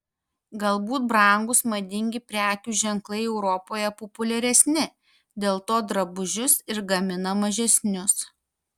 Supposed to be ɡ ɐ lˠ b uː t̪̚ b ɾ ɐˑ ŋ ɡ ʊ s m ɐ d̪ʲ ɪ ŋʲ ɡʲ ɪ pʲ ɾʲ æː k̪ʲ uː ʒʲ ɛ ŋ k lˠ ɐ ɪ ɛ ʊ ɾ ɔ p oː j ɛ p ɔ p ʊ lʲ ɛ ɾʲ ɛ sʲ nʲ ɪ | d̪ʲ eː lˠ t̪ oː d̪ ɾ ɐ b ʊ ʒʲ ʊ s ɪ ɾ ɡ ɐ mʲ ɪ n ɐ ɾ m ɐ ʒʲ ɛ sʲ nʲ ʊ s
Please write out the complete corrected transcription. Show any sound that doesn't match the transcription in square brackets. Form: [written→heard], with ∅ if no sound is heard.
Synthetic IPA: ɡ ɐ lˠ b uː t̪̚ b ɾ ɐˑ ŋ ɡ ʊ s m ɐ d̪ʲ ɪ ŋʲ ɡʲ ɪ pʲ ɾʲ æː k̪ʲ uː ʒʲ ɛ ŋ k lˠ ɐ ɪ ɛ ʊ ɾ ɔ p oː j ɛ p ɔ p ʊ lʲ ɛ ɾʲ ɛ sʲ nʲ ɪ | d̪ʲ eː lˠ t̪ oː d̪ ɾ ɐ b ʊ ʒʲ ʊ s ɪ ɾ ɡ ɐ mʲ ɪ n ɐ [ɾ→∅] m ɐ ʒʲ ɛ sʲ nʲ ʊ s

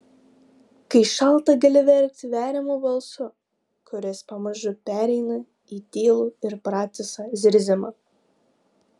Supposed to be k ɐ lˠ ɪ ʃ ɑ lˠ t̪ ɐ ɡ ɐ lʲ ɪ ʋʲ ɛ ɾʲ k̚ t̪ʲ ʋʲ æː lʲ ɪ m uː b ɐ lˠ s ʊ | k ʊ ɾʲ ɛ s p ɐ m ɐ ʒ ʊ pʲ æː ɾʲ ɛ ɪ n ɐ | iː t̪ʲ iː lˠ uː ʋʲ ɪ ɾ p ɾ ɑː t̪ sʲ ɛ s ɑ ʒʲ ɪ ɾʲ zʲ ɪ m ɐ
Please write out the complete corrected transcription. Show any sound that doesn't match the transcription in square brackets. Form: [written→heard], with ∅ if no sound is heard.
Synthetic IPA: k ɐ [lˠ→∅] ɪ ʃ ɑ lˠ t̪ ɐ ɡ ɐ lʲ ɪ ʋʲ ɛ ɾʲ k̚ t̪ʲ ʋʲ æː [lʲ→ɾʲ] ɪ m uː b ɐ lˠ s ʊ | k ʊ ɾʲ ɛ s p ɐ m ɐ ʒ ʊ pʲ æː ɾʲ ɛ ɪ n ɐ | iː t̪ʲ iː lˠ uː [ʋʲ→∅] ɪ ɾ p ɾ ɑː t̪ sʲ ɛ s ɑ [ʒʲ→zʲ] ɪ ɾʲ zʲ ɪ m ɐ

